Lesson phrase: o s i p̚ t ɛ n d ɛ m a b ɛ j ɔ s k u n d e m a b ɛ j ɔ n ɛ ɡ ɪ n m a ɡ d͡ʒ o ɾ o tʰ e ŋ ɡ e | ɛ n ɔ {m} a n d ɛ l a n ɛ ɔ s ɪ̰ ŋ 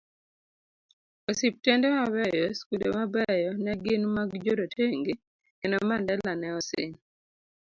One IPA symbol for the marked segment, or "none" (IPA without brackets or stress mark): m